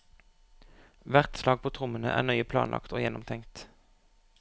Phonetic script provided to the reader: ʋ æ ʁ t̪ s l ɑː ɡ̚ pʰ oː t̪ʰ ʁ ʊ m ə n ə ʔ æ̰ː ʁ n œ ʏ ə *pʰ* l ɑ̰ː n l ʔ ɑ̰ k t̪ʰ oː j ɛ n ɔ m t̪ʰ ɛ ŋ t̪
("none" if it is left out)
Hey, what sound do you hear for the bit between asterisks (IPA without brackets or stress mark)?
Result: pʰ